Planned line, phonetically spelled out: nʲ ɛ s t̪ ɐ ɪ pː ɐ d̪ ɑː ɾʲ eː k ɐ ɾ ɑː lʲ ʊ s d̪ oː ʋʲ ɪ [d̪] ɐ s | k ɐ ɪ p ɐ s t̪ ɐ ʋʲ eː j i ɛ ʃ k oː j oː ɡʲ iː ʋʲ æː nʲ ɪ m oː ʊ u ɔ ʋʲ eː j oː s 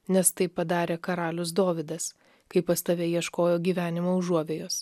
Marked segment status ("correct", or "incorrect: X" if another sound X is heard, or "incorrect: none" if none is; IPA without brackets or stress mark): correct